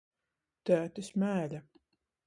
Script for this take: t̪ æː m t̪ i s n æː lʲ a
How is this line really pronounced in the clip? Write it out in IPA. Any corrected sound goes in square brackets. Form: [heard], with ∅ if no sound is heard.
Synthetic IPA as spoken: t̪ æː [∅] t̪ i s [m] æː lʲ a